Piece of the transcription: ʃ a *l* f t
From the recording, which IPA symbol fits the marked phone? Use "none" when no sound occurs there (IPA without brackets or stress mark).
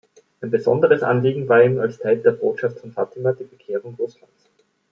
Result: none